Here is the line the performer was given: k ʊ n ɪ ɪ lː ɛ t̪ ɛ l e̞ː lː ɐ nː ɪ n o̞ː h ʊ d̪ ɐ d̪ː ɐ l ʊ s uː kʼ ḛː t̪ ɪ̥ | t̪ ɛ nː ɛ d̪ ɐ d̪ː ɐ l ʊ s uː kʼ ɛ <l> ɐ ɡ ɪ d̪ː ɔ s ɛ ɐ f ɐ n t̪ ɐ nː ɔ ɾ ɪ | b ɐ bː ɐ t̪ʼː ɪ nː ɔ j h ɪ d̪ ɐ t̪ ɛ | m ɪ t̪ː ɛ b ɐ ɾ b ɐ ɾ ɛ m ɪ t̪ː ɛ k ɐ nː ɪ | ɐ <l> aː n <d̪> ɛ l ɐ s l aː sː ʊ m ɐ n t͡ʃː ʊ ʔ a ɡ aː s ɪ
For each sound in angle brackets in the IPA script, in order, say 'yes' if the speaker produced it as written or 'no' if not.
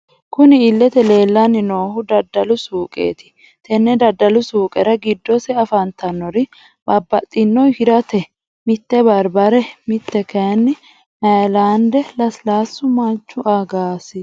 no, yes, yes

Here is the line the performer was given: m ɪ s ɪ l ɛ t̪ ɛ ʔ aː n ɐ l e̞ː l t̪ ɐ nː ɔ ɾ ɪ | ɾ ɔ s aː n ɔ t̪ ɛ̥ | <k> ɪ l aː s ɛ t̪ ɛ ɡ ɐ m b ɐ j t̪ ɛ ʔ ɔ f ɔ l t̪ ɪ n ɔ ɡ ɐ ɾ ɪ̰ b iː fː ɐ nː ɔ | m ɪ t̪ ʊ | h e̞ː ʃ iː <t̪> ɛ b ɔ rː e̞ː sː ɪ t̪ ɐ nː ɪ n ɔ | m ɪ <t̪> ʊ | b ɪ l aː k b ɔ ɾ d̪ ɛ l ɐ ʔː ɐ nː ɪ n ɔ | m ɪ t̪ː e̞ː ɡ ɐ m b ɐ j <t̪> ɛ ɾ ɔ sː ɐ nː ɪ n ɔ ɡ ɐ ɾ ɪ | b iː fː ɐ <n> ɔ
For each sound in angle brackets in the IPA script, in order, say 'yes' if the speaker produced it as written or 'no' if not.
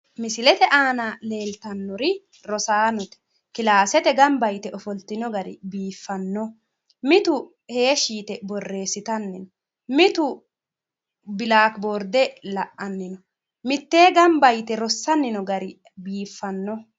yes, yes, yes, yes, no

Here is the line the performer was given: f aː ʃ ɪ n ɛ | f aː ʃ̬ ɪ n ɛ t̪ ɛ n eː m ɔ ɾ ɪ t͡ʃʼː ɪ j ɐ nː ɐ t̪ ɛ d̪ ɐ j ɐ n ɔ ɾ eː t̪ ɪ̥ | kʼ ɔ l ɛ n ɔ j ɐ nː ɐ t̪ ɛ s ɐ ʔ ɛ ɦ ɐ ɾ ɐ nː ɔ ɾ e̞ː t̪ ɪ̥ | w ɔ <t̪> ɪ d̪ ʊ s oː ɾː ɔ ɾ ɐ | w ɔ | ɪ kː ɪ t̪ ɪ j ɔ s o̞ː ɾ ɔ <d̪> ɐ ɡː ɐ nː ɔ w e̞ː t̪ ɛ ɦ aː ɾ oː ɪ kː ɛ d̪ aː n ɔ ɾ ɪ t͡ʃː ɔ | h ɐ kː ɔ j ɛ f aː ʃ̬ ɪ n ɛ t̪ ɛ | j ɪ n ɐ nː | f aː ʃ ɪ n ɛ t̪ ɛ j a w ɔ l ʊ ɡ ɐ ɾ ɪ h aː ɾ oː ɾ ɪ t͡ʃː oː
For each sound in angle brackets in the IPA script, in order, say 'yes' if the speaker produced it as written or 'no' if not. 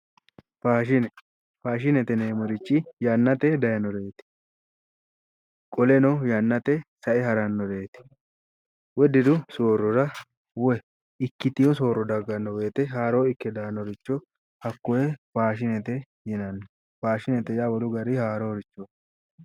no, yes

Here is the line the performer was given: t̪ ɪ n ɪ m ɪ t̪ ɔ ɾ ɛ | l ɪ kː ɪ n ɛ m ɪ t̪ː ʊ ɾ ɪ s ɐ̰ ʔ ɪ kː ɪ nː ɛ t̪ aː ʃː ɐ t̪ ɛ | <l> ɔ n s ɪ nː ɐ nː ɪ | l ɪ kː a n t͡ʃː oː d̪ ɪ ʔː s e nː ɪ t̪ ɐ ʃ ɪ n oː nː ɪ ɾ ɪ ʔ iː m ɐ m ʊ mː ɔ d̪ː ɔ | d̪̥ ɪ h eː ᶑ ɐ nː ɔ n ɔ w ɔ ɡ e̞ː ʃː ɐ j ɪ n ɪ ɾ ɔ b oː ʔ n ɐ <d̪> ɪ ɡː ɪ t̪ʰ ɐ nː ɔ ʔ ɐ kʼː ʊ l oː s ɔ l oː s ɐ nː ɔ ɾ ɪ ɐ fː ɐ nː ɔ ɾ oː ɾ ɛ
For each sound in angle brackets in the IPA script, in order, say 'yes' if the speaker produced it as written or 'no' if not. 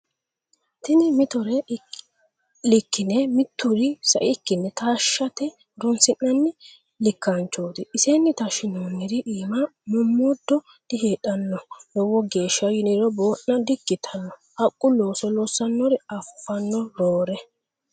no, yes

